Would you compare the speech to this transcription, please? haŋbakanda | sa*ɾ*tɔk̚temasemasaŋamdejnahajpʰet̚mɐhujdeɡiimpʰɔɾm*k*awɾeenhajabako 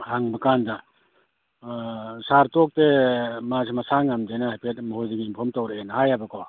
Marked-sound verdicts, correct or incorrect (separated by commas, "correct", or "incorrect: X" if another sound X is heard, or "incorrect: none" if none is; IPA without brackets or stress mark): correct, incorrect: t